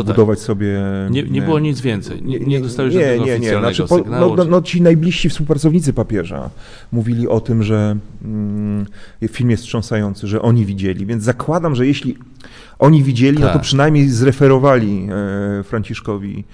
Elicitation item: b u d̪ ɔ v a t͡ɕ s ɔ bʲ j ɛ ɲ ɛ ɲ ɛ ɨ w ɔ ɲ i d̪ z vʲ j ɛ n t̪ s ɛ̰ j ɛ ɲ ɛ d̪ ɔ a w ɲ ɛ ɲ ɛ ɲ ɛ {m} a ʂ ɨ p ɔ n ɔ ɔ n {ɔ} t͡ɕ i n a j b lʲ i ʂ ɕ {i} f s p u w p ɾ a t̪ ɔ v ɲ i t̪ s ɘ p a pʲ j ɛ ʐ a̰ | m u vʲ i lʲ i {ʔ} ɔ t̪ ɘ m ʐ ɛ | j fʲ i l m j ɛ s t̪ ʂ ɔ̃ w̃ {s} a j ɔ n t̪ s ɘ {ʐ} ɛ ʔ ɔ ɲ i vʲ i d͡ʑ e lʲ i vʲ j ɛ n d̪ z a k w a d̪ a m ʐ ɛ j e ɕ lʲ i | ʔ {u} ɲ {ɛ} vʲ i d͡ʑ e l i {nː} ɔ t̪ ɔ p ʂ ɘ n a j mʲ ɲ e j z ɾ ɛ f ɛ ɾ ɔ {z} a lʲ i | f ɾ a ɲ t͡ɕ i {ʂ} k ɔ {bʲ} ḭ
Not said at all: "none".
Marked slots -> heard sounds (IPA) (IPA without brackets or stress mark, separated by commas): n, ɔ, i, ʔ, s, ʐ, ɔ, i, n, v, ʂ, vʲ